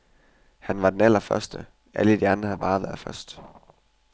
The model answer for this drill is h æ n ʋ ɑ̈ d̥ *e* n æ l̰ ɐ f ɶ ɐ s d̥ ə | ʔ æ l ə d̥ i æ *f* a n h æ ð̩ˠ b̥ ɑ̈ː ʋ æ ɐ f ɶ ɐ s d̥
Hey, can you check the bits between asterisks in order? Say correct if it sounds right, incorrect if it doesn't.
correct, incorrect: none

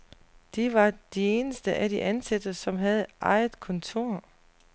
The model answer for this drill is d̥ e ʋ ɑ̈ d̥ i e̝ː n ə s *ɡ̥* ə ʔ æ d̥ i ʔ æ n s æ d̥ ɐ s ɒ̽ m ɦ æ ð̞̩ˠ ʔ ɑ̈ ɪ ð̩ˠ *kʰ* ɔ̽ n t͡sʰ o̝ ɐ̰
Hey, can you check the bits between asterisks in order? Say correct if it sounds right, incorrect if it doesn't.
incorrect: d̥, correct

